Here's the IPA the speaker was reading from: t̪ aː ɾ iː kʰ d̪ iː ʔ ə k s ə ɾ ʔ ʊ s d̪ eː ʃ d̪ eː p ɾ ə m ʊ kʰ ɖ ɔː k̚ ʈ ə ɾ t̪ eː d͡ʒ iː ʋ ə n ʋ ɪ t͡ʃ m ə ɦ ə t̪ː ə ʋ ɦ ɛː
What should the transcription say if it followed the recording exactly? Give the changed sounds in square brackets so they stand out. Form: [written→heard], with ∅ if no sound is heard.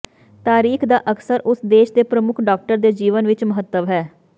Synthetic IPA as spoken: t̪ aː ɾ iː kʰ d̪ [iː→aː] ʔ ə k s ə ɾ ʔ ʊ s d̪ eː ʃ d̪ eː p ɾ ə m ʊ kʰ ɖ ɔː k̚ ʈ ə ɾ [t̪→d̪] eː d͡ʒ iː ʋ ə n ʋ ɪ t͡ʃ m ə ɦ ə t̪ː ə ʋ ɦ ɛː